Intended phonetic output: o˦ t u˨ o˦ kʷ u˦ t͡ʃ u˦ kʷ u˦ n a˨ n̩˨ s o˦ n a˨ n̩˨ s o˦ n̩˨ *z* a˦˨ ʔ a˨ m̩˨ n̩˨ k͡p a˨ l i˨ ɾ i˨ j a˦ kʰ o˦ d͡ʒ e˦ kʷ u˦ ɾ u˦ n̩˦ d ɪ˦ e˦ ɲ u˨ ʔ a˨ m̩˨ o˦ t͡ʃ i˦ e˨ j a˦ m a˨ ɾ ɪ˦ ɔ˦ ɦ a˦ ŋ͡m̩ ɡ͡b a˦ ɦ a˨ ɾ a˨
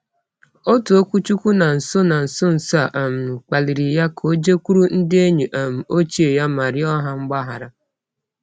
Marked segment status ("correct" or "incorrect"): incorrect